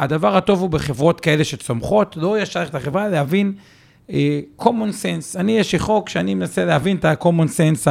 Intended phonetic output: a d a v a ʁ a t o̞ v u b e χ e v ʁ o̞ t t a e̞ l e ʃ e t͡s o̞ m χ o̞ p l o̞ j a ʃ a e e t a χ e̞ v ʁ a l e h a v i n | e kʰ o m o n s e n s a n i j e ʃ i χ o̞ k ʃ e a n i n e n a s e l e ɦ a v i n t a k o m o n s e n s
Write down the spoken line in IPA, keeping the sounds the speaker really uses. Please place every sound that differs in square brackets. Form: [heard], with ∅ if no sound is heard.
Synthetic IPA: a d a v a ʁ a t o̞ v u b e χ e v ʁ o̞ t [k] a e̞ l e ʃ e t͡s o̞ m χ o̞ [t] l o̞ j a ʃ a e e t a χ e̞ v ʁ a l e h a v i n | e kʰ o m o n s e n s a n i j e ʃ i χ o̞ k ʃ e a n i [m] e n a s e l e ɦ a v i n t a k o m o n s e n s